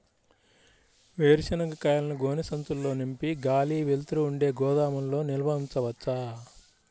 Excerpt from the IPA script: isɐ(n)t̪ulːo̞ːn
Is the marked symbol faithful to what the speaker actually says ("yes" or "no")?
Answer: yes